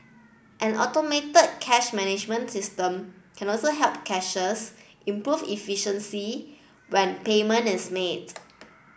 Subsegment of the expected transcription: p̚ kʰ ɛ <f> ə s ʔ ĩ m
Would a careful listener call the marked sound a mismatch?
yes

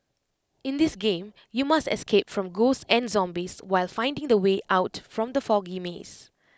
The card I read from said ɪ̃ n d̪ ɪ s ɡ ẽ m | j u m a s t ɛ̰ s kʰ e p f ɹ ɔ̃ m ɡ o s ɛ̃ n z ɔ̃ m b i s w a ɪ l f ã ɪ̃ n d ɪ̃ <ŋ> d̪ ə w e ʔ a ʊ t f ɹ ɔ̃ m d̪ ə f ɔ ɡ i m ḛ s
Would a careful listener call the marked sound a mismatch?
no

